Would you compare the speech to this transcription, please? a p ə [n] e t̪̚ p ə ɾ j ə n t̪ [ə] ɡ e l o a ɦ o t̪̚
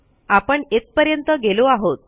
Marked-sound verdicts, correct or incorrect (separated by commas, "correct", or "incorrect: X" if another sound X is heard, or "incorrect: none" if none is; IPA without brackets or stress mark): incorrect: ɳ, correct